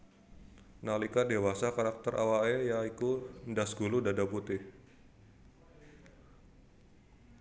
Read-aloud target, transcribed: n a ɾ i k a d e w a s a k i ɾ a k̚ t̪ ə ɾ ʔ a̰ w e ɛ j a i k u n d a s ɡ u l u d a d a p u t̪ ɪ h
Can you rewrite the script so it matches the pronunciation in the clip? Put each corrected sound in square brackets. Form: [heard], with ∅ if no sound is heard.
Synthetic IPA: n a [l] i k a d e w a s a k [a] ɾ a k̚ t̪ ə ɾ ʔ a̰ w [a] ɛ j a i k u n d a s ɡ u l u d a d a p u t̪ ɪ h